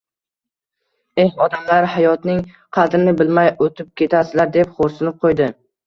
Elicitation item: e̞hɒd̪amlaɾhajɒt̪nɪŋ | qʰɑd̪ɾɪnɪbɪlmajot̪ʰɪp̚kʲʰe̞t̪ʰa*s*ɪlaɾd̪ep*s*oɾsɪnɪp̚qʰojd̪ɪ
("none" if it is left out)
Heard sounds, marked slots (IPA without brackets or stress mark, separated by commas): s, χ